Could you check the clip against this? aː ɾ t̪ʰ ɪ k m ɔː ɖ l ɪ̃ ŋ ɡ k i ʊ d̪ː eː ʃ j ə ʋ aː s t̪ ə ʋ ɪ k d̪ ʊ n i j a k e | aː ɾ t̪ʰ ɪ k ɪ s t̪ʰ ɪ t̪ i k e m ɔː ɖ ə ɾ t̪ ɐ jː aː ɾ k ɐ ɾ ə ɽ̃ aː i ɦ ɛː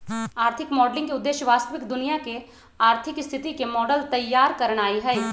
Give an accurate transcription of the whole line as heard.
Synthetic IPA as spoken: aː ɾ t̪ʰ ɪ k m ɔː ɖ l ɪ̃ ŋ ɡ k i ʊ d̪ː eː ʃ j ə ʋ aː s t̪ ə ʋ ɪ k d̪ ʊ n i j a k e | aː ɾ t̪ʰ ɪ k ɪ s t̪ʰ ɪ t̪ i k e m ɔː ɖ ə l t̪ ɐ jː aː ɾ k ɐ ɾ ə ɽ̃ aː i ɦ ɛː